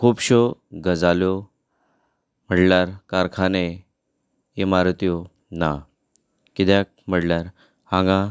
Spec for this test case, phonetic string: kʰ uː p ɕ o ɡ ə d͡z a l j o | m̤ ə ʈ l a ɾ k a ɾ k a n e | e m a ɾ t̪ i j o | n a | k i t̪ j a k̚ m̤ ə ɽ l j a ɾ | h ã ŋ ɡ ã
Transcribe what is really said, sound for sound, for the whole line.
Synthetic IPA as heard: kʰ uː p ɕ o ɡ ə d͡z a l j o | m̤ ə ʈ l a ɾ k a ɾ kʰ a n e | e m a ɾ t̪ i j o | n a | k i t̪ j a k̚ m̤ ə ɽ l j a ɾ | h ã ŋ ɡ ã

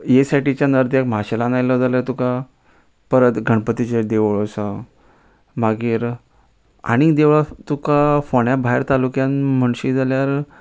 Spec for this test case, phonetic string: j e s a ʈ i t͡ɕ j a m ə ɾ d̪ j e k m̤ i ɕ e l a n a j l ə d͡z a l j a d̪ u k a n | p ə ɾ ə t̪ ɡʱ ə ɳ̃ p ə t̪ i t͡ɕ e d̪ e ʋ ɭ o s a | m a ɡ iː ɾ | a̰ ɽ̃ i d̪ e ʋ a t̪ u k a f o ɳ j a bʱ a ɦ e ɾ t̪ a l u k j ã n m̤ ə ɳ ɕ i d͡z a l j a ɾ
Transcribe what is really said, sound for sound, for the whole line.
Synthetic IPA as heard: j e s a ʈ i t͡ɕ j a n ə ɾ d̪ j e k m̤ a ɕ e l a n a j l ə d͡z a l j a t̪ u k a | p ə ɾ ə t̪ ɡʱ ə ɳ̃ p ə t̪ i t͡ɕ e d̪ e ʋ ɭ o s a | m a ɡ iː ɾ | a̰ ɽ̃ i d̪ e ʋ a t̪ u k a f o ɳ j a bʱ a ɦ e ɾ t̪ a l u k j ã n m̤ ə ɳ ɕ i d͡z a l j a ɾ

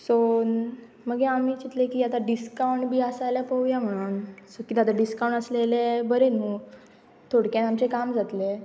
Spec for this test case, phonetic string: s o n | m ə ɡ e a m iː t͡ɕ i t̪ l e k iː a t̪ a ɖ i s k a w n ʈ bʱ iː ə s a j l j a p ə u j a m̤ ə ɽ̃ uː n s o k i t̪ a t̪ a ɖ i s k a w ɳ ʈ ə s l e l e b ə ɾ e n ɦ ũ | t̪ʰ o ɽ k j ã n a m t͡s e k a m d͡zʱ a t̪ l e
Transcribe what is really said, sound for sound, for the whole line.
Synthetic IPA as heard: s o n | m ə ɡ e a m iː t͡ɕ i t̪ l e k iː a t̪ a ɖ i s k a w ɳ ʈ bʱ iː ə s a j l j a p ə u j a m̤ ə ɽ̃ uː n s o k i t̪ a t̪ a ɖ i s k a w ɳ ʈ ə s l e l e b ə ɾ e n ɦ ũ | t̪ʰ o ɽ k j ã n a m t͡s e k a m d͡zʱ a t̪ l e

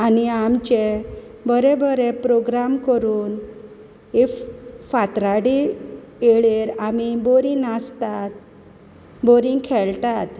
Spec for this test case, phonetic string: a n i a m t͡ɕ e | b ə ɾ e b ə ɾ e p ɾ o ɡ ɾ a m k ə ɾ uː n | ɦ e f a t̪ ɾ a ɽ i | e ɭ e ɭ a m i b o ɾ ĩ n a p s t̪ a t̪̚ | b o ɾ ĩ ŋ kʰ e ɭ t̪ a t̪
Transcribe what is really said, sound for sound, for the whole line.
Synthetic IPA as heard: a n i a m t͡ɕ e | b ə ɾ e b ə ɾ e p ɾ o ɡ ɾ a m k ə ɾ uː n | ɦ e f a t̪ ɾ a ɽ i | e ɭ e ɾ a m i b o ɾ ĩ n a s t̪ a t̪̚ | b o ɾ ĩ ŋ kʰ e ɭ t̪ a t̪

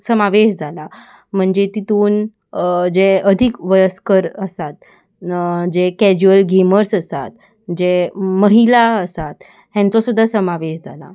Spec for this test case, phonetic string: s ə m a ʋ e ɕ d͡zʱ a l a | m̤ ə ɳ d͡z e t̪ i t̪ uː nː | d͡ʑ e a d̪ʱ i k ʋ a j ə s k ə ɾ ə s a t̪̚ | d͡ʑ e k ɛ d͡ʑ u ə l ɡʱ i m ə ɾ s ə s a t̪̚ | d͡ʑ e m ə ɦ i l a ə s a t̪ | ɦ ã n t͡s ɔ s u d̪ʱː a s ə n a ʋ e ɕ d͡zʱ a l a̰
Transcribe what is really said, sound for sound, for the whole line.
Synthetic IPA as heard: s ə m a ʋ e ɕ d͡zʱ a l a | m̤ ə ɳ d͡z e t̪ i t̪ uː n | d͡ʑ e ə d̪ʱ i k ʋ ə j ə s k ə ɾ ə s a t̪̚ | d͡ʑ e k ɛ d͡ʑ u ə l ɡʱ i m ə ɾ s ə s a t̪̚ | d͡ʑ e m ə ɦ i l a ə s a t̪ | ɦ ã n t͡s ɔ s u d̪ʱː a s ə m a ʋ e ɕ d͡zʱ a l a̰

